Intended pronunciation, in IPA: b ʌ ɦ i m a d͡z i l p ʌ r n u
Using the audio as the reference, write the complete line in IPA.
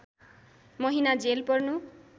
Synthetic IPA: m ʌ ɦ i n a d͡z e l p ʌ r n u